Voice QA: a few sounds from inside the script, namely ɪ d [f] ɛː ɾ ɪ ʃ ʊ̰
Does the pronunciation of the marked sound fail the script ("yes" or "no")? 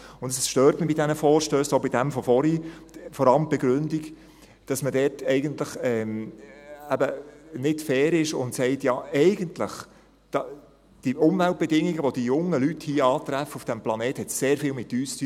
no